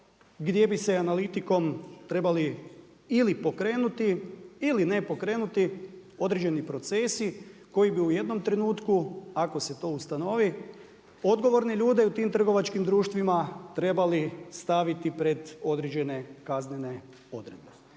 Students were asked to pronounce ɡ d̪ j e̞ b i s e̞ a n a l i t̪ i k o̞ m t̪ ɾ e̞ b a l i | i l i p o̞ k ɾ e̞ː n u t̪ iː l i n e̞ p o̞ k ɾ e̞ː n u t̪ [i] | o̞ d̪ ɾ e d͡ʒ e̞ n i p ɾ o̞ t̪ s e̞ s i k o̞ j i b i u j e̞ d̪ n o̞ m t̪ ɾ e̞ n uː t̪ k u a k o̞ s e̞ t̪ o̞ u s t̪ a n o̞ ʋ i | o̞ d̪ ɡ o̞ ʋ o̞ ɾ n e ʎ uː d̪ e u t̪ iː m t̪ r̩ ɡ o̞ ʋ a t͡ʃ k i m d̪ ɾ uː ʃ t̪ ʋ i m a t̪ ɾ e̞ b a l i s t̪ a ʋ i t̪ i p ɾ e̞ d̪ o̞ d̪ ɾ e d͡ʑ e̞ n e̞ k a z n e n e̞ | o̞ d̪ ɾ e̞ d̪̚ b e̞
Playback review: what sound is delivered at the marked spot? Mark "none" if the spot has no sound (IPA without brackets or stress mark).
i